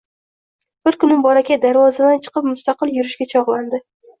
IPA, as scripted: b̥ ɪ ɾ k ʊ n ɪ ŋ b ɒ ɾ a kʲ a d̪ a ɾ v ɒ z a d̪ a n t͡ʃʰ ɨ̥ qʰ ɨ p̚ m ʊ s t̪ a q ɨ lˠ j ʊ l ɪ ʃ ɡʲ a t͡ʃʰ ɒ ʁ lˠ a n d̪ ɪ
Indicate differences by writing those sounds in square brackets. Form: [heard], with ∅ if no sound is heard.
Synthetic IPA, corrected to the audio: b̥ ɪ ɾ k ʊ n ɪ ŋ b ɒ ɾ a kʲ a d̪ a ɾ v ɒ z a d̪ a n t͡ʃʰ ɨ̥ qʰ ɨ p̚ m ʊ s t̪ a q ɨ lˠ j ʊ [ɾ] ɪ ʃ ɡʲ a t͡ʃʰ ɒ ʁ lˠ a n d̪ ɪ